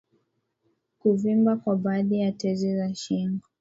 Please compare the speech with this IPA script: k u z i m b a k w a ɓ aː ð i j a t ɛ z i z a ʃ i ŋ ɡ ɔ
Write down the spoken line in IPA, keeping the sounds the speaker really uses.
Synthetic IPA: k u v i m b a k w a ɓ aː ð i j a t ɛ z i z a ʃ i ŋ ɡ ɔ